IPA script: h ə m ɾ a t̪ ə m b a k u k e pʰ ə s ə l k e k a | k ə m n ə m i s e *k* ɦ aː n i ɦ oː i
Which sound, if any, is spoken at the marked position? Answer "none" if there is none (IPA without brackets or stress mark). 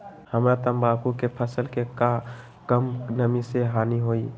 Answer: none